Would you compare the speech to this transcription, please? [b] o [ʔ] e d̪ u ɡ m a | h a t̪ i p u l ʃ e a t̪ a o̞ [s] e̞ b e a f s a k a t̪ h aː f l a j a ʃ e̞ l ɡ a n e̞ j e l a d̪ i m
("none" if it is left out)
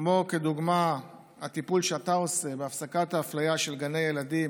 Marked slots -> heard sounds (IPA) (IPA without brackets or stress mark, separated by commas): m, k, s